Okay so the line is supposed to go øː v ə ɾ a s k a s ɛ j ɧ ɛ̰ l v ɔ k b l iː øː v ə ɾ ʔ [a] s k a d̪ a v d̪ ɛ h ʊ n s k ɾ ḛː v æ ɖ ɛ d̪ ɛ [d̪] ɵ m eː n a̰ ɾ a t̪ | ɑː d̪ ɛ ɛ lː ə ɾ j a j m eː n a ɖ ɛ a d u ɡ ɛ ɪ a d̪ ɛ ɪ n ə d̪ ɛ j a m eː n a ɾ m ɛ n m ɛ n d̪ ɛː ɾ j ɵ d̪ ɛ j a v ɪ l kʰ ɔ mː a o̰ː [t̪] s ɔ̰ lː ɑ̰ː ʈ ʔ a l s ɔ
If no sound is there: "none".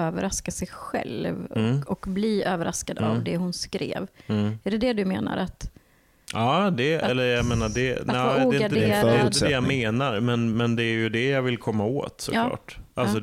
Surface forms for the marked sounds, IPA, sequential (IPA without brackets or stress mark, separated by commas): a, d̪, t̪